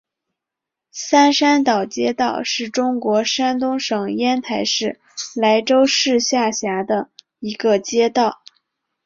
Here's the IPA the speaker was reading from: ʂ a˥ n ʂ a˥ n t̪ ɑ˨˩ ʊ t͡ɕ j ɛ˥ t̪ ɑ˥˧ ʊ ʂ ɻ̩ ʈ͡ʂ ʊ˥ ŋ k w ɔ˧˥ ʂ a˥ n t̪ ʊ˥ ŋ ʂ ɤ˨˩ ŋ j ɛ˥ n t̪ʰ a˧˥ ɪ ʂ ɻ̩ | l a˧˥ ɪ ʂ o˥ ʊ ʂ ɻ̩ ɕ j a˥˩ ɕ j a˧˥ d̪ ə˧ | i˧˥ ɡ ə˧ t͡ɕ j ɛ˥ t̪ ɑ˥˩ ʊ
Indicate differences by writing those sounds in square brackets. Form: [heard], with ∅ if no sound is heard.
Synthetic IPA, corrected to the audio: [s] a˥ n ʂ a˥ n t̪ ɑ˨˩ ʊ t͡ɕ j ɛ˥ t̪ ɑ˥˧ ʊ ʂ ɻ̩ ʈ͡ʂ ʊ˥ ŋ k w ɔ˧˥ ʂ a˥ n t̪ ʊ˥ ŋ ʂ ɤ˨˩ ŋ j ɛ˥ n t̪ʰ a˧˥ ɪ ʂ ɻ̩ | l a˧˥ ɪ [ʈ͡ʂ] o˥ ʊ ʂ ɻ̩ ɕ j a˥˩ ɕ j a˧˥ d̪ ə˧ | i˧˥ ɡ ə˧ t͡ɕ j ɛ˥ t̪ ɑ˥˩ ʊ